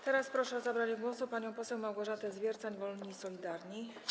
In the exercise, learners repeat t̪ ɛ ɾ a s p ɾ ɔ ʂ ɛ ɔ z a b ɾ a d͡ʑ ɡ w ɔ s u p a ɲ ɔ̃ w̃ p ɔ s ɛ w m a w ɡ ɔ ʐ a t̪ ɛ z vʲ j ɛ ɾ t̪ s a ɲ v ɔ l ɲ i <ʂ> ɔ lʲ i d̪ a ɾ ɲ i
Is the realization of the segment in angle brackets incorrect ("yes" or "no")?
yes